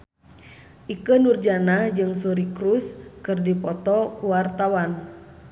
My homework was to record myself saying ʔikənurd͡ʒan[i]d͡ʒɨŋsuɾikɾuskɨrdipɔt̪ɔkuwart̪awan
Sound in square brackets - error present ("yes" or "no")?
yes